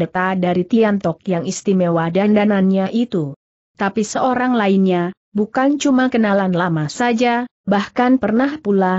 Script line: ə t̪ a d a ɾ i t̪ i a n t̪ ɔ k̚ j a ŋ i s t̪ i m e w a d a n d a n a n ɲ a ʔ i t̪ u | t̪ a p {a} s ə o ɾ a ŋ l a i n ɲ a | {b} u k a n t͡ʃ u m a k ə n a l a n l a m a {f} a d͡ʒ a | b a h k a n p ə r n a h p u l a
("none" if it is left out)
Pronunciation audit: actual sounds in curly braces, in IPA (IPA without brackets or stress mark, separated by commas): i, b, s